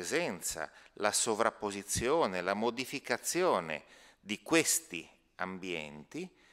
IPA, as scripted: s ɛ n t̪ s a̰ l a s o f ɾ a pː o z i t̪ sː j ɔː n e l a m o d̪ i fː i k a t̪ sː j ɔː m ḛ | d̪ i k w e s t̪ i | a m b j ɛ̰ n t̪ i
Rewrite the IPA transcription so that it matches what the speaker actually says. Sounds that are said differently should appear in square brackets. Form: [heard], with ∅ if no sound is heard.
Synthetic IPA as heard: [z] ɛ n t̪ s a̰ l a s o [v] ɾ a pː o z i t̪ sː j ɔː n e l a m o d̪ i [f] i k a t̪ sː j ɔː [n] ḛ | d̪ i k w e s t̪ i | a m b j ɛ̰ n t̪ i